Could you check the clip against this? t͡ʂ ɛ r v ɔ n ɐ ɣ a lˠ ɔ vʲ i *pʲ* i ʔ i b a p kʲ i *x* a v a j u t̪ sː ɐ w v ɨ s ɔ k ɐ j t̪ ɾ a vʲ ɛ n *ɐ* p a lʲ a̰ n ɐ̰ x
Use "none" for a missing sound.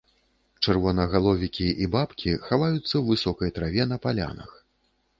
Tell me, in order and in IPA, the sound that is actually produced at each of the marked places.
kʲ, x, ɐ

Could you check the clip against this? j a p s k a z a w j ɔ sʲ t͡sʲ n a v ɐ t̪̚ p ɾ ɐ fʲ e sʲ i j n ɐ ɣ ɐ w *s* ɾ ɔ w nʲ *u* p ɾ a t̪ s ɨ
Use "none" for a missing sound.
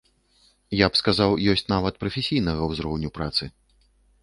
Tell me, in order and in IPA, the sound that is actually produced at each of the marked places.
z, u

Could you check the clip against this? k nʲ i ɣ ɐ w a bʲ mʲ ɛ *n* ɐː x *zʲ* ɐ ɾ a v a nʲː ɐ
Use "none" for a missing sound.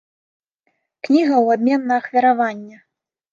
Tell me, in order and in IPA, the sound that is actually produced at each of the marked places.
nː, vʲ

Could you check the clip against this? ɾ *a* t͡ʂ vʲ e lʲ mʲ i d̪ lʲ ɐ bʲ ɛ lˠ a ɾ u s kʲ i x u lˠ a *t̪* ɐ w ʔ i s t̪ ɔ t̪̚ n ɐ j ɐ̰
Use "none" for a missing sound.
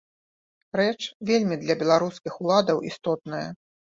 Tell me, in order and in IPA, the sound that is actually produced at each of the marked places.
ɛ, d̪

